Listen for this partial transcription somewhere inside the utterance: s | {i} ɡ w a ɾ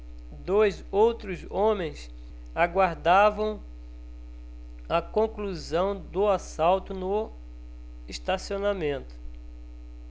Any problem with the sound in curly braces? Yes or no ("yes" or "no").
yes